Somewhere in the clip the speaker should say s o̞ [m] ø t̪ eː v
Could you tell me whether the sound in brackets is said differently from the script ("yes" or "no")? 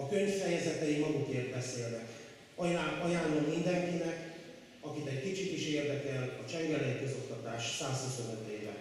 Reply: yes